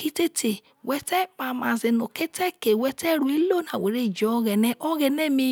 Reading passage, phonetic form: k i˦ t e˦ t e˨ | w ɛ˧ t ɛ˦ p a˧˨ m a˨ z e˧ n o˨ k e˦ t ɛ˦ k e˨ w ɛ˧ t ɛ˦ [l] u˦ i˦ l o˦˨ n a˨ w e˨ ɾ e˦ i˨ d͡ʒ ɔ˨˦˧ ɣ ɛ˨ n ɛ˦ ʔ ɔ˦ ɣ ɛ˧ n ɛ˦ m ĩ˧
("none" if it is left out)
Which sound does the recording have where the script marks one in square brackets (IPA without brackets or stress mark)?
ɾ